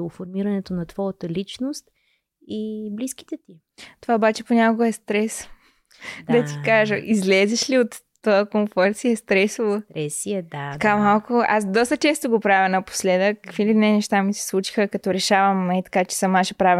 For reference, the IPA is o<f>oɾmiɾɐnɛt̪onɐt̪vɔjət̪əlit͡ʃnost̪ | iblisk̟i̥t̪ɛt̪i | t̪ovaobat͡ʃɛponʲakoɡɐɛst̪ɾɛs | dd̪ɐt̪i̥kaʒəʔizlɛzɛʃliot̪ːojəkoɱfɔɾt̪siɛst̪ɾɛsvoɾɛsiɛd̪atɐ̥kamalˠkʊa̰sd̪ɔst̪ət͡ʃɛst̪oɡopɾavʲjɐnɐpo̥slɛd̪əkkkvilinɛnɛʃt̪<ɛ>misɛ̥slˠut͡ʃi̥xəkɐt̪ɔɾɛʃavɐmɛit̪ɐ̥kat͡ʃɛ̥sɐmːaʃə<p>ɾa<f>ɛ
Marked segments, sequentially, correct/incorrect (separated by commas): correct, incorrect, correct, incorrect